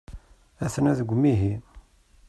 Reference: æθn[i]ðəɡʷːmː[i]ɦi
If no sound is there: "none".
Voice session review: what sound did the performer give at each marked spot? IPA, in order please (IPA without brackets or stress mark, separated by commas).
æ, i